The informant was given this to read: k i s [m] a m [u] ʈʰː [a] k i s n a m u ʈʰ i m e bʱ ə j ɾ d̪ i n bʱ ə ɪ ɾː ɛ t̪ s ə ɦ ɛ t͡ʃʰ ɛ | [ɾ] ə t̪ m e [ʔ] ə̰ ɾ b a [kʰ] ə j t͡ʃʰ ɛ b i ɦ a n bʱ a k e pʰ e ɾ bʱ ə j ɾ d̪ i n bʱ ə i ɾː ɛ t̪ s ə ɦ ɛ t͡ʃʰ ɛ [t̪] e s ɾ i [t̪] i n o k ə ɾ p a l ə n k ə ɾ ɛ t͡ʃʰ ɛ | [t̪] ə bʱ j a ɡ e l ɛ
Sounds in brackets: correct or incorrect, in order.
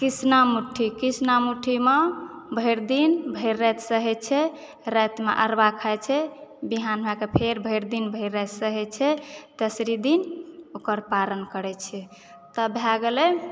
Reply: incorrect, correct, incorrect, correct, correct, correct, correct, incorrect, correct

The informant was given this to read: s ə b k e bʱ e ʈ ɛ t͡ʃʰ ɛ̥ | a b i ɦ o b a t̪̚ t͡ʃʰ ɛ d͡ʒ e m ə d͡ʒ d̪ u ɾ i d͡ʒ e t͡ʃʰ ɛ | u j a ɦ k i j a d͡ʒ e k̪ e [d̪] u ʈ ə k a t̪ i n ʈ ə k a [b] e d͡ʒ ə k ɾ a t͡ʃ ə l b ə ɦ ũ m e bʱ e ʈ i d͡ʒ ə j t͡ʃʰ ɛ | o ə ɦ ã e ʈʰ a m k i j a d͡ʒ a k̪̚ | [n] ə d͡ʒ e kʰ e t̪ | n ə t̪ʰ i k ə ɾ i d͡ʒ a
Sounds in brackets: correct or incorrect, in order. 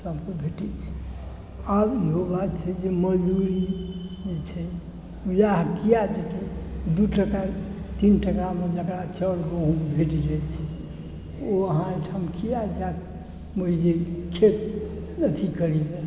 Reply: correct, incorrect, incorrect

